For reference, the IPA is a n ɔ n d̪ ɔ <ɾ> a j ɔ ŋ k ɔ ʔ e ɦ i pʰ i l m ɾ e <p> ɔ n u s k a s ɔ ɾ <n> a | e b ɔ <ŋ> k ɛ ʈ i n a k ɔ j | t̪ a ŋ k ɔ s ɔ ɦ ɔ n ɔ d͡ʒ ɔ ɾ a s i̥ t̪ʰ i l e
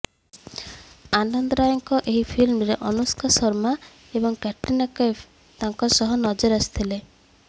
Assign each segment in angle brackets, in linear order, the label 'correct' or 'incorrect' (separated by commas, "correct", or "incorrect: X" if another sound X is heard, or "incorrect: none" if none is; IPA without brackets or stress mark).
correct, incorrect: ʔ, incorrect: m, correct